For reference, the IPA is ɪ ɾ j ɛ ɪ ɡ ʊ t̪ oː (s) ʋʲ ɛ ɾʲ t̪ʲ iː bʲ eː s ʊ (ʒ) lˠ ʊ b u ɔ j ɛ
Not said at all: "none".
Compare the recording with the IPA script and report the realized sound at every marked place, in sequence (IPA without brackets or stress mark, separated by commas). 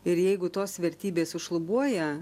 s, ʃ